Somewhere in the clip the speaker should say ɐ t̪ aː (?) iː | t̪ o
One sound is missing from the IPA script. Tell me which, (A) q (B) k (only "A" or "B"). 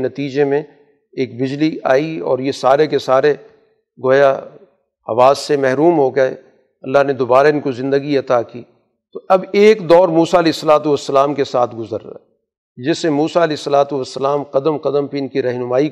B